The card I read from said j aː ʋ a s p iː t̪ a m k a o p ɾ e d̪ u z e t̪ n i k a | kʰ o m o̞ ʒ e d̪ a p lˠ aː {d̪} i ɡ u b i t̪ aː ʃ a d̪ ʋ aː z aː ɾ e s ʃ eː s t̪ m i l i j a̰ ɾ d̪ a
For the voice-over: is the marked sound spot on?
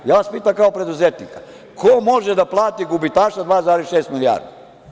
no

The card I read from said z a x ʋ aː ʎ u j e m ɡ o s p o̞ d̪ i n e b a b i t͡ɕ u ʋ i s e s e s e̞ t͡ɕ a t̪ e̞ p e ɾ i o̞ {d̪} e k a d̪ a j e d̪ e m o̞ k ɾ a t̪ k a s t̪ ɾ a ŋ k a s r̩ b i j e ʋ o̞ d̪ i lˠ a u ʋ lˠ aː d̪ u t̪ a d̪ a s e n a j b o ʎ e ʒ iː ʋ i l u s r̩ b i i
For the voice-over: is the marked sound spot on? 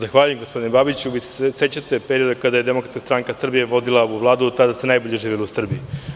yes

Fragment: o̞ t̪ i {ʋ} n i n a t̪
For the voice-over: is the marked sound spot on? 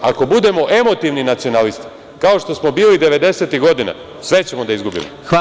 yes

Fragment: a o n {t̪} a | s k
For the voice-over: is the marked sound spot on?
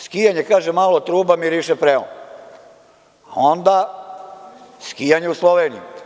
no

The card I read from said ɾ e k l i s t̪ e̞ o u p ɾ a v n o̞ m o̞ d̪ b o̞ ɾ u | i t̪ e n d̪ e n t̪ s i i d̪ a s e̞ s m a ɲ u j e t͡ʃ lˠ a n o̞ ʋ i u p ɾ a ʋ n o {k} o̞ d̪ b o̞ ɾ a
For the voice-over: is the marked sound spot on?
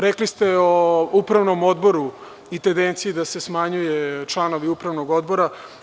no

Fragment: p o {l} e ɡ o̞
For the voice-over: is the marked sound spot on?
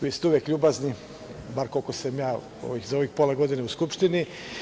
yes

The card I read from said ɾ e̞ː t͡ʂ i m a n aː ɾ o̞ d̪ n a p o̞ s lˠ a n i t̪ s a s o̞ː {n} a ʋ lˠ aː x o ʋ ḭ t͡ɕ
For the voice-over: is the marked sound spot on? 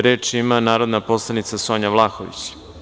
no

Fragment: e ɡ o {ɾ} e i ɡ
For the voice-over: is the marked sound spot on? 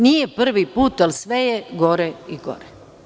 yes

